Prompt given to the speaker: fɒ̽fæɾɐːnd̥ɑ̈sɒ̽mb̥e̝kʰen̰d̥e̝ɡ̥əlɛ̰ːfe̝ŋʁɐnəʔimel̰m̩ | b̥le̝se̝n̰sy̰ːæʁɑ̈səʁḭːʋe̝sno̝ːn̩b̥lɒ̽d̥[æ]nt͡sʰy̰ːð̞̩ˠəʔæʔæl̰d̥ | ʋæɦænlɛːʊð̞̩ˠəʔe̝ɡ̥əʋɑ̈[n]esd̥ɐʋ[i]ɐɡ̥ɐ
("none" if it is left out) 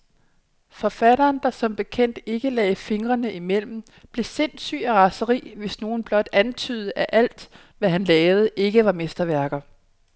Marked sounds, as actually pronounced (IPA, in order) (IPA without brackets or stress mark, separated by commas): æ, m, æ